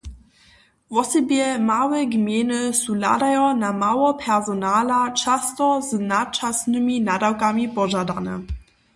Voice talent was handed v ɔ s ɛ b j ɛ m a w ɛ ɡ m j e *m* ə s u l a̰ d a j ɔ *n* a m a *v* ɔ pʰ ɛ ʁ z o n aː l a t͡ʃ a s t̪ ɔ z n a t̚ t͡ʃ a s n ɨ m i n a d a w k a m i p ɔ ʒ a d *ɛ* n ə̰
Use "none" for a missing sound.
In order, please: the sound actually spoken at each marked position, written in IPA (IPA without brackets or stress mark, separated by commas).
n, n, w, a